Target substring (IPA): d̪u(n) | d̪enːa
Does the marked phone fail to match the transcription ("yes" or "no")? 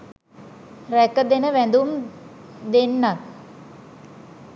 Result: yes